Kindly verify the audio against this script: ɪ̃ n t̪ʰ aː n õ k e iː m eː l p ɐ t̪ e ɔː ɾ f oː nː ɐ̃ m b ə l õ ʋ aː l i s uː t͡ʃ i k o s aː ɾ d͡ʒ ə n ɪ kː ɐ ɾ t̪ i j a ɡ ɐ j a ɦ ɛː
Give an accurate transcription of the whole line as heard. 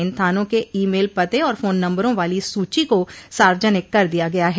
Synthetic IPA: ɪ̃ n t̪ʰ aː n õ k e iː m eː l p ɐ t̪ e ɔː ɾ f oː nː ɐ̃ m b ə ɾ õ ʋ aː l i s uː t͡ʃ i k o s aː ɾ d͡ʒ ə n ɪ kː ɐ ɾ d̪ i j a ɡ ɐ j a ɦ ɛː